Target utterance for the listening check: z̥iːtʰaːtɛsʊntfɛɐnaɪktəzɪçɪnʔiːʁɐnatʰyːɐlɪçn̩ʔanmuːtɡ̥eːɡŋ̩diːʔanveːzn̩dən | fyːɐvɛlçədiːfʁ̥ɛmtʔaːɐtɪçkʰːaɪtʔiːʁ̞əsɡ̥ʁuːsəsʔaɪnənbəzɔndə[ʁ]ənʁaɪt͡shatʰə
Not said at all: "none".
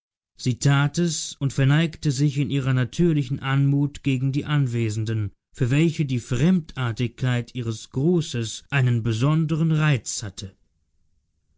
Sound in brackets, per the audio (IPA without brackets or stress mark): ʁ